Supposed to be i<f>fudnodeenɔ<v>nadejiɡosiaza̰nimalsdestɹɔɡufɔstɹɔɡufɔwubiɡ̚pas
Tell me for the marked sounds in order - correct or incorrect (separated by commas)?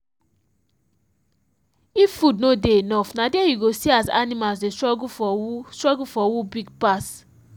correct, incorrect